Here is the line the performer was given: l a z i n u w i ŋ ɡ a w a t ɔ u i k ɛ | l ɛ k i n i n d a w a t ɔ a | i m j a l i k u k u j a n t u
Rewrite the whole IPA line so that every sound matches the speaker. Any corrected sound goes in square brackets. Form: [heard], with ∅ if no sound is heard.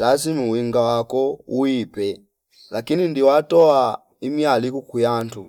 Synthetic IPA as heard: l a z i [m] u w i ŋ ɡ a w a [k] ɔ u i [p] ɛ | l [a] k i n i n d [i] w a t ɔ a | i m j a l i k u k u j a n t u